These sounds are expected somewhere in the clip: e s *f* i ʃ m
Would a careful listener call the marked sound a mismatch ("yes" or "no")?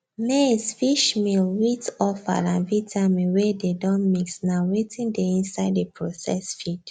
no